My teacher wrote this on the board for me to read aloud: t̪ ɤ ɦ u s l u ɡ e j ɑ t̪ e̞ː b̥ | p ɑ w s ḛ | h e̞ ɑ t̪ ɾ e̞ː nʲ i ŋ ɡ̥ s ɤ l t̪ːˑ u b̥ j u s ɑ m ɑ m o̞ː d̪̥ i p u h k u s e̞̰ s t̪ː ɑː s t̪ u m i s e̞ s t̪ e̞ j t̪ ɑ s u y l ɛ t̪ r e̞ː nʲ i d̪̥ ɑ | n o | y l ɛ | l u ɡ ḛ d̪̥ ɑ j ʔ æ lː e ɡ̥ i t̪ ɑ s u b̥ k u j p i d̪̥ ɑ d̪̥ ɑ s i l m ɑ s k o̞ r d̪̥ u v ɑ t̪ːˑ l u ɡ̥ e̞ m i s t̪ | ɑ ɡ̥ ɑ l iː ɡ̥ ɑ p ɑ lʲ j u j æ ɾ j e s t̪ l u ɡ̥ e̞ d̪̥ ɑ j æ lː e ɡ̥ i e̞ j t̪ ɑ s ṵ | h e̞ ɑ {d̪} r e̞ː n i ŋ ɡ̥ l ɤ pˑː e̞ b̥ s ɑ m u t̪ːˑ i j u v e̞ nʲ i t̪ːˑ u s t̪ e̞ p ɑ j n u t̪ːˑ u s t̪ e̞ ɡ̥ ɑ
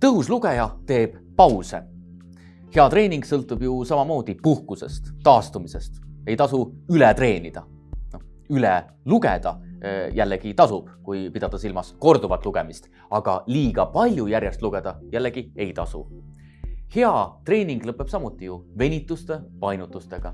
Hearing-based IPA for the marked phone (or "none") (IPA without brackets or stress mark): t̪